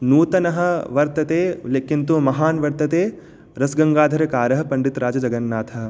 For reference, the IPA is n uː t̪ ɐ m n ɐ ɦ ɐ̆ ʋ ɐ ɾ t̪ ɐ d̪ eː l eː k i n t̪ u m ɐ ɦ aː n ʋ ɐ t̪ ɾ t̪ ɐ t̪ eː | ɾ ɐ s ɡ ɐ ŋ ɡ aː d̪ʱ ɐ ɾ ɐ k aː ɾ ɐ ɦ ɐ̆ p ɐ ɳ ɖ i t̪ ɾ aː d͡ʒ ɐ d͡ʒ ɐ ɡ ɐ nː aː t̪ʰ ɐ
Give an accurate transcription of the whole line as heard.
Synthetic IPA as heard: n uː t̪ ɐ n ɐ ɦ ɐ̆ ʋ ɐ ɾ t̪ ɐ t̪ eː l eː k i n t̪ u m ɐ ɦ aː n ʋ ɐ ɾ t̪ ɐ t̪ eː | ɾ ɐ s ɡ ɐ ŋ ɡ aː d̪ʱ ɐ ɾ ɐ k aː ɾ ɐ ɦ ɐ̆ p ɐ ɳ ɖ i t̪ ɾ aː d͡ʒ ɐ d͡ʒ ɐ ɡ ɐ nː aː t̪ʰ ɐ